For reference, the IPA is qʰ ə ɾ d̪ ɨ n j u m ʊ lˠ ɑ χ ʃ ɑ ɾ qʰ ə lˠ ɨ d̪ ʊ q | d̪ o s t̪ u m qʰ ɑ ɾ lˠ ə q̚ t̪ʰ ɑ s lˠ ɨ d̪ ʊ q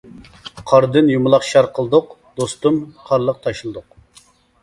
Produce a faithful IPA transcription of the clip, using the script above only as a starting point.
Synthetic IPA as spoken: qʰ ɑ ɾ d̪ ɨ n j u m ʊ lˠ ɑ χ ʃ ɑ ɾ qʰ ə lˠ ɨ d̪ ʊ q | d̪ o s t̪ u m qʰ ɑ ɾ lˠ ə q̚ t̪ʰ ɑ ʃ lˠ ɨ d̪ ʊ q